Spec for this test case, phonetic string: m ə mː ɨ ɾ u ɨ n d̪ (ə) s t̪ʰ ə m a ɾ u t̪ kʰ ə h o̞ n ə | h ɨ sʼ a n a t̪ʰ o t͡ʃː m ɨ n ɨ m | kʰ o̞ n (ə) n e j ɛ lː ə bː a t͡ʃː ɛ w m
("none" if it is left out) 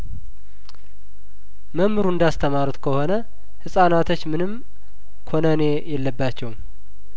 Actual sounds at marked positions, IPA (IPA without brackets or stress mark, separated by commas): a, ə